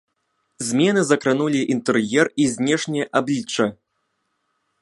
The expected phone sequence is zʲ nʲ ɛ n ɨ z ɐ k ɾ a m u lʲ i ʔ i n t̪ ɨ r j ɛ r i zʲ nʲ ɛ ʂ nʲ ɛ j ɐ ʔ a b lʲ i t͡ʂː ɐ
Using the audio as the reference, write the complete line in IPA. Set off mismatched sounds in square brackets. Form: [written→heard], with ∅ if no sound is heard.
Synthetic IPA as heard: zʲ [nʲ→mʲ] ɛ n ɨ z ɐ k ɾ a [m→n] u lʲ i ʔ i n t̪ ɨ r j ɛ r i zʲ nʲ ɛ ʂ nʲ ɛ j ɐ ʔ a b lʲ i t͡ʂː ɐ